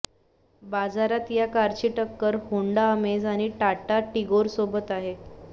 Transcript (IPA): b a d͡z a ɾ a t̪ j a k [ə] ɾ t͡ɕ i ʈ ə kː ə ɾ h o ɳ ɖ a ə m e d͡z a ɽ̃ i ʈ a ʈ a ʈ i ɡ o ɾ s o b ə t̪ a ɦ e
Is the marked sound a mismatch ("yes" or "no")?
yes